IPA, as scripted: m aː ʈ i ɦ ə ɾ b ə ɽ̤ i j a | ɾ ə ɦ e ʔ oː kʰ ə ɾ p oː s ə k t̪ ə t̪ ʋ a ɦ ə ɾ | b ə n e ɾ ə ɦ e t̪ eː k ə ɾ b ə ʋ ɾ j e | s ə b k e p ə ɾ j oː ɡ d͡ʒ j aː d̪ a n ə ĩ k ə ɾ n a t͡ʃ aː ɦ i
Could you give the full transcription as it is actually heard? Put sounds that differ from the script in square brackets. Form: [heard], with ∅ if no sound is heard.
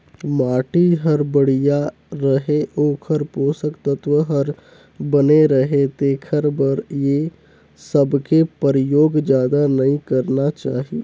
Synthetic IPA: m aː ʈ i ɦ ə ɾ b ə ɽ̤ i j a | ɾ ə ɦ e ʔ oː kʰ ə ɾ p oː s ə k t̪ ə t̪ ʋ [ə] ɦ ə ɾ | b ə n e ɾ ə ɦ e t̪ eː [kʰ] ə ɾ b ə [∅] ɾ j e | s ə b k e p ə ɾ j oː ɡ d͡ʒ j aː d̪ a n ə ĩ k ə ɾ n a t͡ʃ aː ɦ i